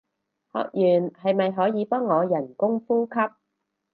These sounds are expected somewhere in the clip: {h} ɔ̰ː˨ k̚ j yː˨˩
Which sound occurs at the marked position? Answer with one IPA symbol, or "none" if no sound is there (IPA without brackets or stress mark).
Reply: h